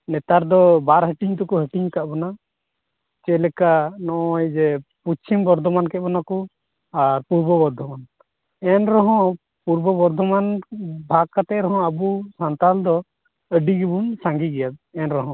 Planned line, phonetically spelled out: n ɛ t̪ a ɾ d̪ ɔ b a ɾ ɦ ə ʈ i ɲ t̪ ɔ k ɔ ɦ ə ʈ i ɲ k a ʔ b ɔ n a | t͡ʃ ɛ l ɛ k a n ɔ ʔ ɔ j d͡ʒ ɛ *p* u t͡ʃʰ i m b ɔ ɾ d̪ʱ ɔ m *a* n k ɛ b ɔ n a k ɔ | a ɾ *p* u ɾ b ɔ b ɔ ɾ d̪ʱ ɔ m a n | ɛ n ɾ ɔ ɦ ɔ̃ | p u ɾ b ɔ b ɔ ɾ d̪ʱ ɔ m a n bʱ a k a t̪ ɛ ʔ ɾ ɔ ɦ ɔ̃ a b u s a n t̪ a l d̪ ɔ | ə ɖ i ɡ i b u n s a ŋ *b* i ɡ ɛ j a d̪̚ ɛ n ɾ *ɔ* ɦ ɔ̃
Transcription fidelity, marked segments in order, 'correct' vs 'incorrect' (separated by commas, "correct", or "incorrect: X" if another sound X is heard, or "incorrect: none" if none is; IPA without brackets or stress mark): correct, correct, correct, incorrect: ɡ, correct